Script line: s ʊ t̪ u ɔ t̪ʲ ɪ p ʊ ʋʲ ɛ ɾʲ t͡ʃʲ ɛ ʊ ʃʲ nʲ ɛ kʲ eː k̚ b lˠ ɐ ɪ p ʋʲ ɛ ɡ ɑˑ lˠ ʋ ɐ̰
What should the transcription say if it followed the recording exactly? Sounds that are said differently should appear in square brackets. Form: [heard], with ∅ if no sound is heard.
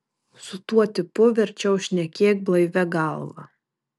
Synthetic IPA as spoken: s ʊ t̪ u ɔ t̪ʲ ɪ p ʊ ʋʲ ɛ ɾʲ t͡ʃʲ ɛ ʊ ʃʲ nʲ ɛ kʲ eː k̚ b lˠ ɐ ɪ [∅] ʋʲ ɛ ɡ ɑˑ lˠ ʋ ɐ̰